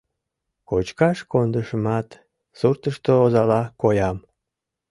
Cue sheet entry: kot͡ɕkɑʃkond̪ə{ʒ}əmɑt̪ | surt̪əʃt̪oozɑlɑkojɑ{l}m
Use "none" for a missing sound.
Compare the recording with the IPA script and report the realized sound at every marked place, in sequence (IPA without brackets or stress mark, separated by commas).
ʃ, none